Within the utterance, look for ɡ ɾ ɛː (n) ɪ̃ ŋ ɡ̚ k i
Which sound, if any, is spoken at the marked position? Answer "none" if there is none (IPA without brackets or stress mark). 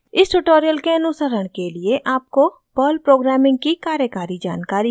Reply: m